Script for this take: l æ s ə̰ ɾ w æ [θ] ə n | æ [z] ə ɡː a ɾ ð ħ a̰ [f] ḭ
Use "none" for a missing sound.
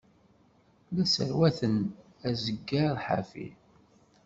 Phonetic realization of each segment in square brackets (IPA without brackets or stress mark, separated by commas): θ, z, f